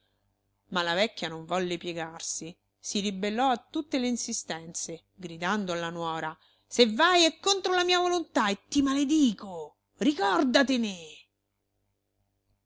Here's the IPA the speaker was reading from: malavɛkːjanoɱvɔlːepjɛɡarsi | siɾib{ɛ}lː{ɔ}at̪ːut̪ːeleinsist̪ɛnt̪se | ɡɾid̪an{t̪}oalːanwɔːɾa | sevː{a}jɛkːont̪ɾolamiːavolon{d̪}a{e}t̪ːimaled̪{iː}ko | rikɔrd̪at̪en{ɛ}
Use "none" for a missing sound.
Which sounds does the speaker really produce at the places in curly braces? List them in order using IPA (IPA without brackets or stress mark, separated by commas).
e, ɔ, d̪, a, t̪, e, iː, e